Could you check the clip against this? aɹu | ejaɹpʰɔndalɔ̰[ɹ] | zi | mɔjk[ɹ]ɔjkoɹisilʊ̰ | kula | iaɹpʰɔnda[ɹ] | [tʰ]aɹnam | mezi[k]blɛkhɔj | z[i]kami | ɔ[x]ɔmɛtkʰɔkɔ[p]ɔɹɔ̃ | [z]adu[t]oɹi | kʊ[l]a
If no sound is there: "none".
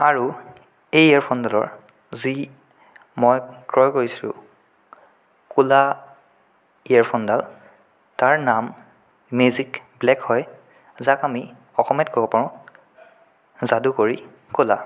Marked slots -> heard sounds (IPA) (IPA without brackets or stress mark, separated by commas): ɹ, ɹ, l, t, k, a, x, p, z, k, l